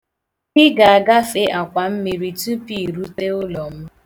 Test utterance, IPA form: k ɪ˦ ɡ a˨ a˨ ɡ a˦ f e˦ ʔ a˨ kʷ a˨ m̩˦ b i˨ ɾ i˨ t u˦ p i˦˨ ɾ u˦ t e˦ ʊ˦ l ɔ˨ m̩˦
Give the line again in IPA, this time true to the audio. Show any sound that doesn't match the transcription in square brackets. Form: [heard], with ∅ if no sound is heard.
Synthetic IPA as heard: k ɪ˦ ɡ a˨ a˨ ɡ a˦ f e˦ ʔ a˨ kʷ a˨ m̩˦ [m] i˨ ɾ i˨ t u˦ p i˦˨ ɾ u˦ t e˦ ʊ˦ l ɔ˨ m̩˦